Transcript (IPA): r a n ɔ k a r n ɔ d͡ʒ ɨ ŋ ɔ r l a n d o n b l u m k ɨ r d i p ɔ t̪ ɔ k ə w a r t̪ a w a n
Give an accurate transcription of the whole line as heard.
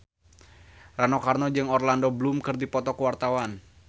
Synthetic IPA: r a n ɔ k a r n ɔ d͡ʒ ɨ ŋ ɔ r l a n d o b l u m k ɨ r d i p ɔ t̪ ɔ k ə w a r t̪ a w a n